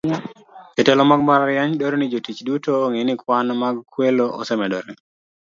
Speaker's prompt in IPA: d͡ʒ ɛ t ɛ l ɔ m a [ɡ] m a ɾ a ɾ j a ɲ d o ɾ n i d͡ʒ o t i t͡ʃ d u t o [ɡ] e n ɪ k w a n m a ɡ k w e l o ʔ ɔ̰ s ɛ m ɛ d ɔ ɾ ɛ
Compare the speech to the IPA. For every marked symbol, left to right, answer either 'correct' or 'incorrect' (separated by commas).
correct, incorrect